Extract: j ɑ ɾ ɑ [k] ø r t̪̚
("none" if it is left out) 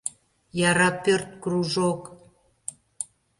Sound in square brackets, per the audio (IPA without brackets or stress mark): p